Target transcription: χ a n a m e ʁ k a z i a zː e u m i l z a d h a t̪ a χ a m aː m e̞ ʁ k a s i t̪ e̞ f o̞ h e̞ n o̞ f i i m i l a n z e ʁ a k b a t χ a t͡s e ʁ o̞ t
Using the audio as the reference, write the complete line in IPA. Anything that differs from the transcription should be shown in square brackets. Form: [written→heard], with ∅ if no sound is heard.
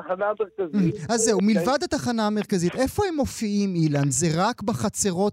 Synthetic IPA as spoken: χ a n a m e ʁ k a z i a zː e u m i l [z→v] a d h a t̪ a χ a [m→n] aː m e̞ ʁ k a [s→z] i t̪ e̞ f o̞ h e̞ [n→m] o̞ f i i m i l a n z e ʁ a k b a [t→∅] χ a t͡s e ʁ o̞ t